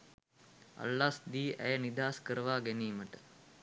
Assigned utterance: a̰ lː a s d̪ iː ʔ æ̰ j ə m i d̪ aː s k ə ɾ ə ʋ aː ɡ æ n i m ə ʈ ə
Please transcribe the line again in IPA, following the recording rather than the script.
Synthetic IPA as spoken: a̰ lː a s d̪ iː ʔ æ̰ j ə n i d̪ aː s k ə ɾ ə ʋ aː ɡ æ n iː m ə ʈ ə